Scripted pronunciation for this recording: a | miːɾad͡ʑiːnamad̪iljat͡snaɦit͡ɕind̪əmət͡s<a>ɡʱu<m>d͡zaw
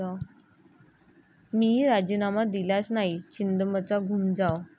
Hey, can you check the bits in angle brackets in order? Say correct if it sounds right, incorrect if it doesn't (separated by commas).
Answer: correct, correct